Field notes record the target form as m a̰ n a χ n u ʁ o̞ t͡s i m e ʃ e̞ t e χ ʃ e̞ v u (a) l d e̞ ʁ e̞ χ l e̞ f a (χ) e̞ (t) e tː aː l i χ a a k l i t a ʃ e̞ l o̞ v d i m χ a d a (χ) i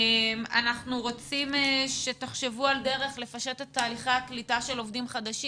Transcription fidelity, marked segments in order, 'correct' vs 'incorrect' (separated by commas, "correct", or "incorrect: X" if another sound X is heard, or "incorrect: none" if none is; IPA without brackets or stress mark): correct, incorrect: ʃ, correct, incorrect: ʃ